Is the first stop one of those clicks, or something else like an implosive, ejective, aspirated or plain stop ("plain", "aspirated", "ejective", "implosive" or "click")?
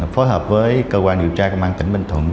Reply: plain